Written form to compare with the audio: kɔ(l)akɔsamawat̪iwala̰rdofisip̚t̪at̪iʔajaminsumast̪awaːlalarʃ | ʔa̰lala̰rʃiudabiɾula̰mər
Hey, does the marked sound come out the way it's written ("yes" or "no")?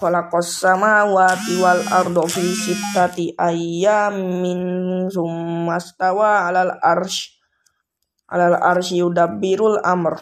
yes